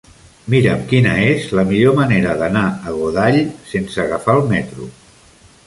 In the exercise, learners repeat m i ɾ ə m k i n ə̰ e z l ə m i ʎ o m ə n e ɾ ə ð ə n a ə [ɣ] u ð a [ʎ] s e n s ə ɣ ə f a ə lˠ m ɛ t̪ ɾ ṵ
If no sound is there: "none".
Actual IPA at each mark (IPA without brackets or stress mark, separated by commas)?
ɣ, ʎ